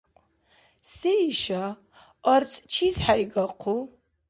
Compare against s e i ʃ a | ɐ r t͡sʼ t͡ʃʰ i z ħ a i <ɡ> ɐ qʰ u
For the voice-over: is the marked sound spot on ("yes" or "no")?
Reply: yes